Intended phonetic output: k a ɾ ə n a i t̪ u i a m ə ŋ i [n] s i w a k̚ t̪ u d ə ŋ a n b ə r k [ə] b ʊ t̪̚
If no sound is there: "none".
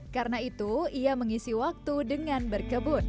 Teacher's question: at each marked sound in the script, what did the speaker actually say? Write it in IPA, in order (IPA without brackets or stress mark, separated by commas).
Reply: none, ə